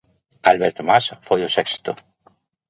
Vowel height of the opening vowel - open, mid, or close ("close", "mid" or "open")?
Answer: open